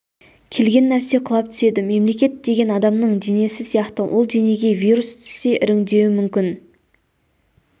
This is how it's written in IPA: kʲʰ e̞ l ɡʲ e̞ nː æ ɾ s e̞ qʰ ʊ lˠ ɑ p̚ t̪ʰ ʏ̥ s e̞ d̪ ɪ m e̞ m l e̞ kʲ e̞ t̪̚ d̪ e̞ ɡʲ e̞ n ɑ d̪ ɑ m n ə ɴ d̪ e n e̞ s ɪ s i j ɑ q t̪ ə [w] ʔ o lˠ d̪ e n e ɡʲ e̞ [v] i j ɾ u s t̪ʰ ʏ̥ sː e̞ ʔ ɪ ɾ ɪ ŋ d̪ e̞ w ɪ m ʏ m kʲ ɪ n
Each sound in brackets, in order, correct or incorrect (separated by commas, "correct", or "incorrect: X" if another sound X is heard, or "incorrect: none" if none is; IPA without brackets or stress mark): correct, correct